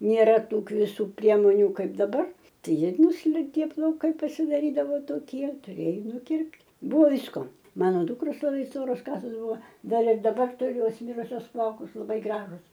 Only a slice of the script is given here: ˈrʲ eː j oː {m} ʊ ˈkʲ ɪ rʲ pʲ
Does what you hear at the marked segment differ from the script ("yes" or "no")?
yes